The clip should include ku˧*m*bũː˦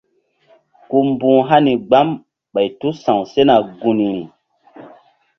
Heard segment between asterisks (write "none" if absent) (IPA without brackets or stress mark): m